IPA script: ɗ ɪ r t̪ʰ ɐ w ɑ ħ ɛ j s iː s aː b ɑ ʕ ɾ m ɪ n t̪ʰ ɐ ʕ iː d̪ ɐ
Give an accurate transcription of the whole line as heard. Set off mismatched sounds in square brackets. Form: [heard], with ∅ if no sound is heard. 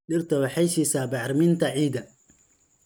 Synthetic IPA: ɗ ɪ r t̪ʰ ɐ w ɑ ħ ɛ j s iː s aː b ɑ ʕ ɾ m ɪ n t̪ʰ ɐ ʕ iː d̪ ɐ